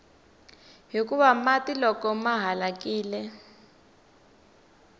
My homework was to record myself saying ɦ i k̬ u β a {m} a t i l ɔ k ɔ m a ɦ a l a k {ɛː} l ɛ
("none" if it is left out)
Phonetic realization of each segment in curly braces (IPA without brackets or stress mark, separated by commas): m, iː